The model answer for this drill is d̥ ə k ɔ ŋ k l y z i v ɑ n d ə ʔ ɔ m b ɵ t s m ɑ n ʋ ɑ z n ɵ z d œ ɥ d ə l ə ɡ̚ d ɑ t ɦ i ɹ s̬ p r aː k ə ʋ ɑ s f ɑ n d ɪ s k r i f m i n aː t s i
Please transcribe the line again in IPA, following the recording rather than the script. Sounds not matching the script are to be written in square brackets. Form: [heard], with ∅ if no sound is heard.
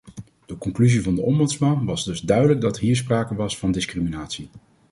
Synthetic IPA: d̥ ə k ɔ ŋ k l y z i v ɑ n d ə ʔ ɔ m b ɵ t s m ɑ n ʋ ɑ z [d] ɵ z d œ ɥ d ə l ə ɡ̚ d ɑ t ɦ [iː] ɹ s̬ p r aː k ə ʋ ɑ s f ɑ n d ɪ s k r i [∅] m i n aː t s i